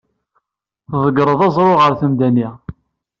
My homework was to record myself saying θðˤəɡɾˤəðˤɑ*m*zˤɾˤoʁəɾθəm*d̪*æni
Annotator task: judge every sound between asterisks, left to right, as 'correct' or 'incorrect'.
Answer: incorrect, correct

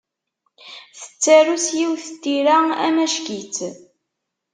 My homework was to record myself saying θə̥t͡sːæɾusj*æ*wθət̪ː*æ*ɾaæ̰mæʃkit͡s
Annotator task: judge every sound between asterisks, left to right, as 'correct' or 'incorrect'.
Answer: incorrect, incorrect

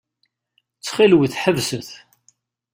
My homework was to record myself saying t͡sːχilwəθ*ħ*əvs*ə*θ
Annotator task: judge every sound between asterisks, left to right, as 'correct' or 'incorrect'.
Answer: correct, correct

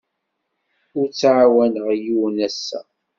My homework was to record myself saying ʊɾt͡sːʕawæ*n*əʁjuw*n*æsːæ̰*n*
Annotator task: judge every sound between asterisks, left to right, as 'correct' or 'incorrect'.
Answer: correct, correct, incorrect

